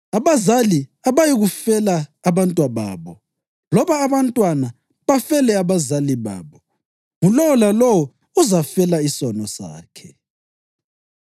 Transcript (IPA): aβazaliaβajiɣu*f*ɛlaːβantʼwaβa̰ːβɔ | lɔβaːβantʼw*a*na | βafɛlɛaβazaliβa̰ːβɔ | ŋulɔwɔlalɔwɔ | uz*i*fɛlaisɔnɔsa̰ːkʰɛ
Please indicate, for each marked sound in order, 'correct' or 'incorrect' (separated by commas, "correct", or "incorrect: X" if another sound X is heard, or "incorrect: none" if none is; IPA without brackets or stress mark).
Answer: correct, correct, incorrect: a